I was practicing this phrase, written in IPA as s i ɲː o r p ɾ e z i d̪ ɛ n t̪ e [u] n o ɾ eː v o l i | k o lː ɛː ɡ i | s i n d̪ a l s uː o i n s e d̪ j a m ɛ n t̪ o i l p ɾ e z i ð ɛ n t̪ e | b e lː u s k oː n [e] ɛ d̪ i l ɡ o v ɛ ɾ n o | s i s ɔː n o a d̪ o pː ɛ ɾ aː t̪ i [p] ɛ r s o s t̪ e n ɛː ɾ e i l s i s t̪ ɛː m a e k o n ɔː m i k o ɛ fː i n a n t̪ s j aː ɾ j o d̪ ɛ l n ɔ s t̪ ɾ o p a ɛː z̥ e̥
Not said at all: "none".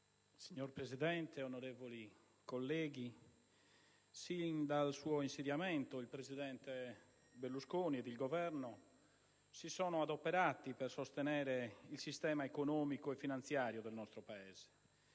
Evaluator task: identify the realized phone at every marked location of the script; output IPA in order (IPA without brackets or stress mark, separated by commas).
o, i, p